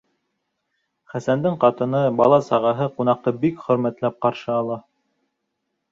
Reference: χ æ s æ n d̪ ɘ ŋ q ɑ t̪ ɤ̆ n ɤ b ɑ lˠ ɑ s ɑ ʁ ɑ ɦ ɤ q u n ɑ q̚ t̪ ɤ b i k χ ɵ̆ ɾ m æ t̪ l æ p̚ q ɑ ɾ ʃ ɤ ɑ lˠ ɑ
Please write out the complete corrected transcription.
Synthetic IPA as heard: χ æ s æ n d̪ ɘ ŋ q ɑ t̪ ɤ̆ n ɤ b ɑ lˠ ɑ s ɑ ʁ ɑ ɦ ɤ q u n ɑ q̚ t̪ ɤ b i k χ ɵ̆ ɾ m æ t̪ l æ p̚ q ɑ ɾ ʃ ɤ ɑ lˠ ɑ